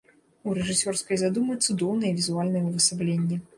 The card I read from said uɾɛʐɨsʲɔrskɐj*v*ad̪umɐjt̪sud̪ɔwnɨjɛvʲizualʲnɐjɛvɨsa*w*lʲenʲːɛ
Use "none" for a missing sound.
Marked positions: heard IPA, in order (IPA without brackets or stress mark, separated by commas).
z, b